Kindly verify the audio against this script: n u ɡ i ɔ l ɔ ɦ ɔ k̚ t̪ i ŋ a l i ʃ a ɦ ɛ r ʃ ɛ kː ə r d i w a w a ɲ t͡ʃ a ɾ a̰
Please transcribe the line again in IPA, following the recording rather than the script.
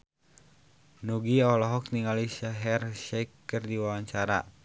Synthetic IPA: n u ɡ i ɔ l ɔ ɦ ɔ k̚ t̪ i ŋ a l i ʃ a ɦ ɛ r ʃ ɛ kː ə r d i w a w a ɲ t͡ʃ a ɾ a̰